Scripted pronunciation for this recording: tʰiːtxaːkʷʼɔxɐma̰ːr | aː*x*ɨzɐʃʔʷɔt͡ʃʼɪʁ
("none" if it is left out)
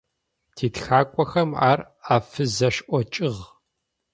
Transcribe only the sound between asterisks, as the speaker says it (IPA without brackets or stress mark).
f